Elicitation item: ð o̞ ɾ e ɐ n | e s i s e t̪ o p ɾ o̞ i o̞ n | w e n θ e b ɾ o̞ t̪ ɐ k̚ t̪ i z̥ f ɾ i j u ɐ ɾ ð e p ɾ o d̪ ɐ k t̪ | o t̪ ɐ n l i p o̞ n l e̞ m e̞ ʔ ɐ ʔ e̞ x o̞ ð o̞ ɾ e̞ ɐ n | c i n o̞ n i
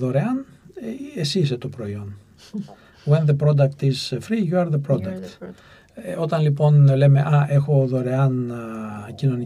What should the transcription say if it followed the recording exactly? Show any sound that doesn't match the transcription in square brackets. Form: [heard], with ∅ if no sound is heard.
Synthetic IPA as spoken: ð o̞ ɾ e ɐ n | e s i s e t̪ o p ɾ o̞ i o̞ n | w e n [ð] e [p] ɾ o̞ [d̪] ɐ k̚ t̪ i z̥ f ɾ i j u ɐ ɾ ð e p ɾ o d̪ ɐ k t̪ | o t̪ ɐ n l i p o̞ n l e̞ m e̞ ʔ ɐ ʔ e̞ x o̞ ð o̞ ɾ e̞ ɐ n | c i n o̞ n i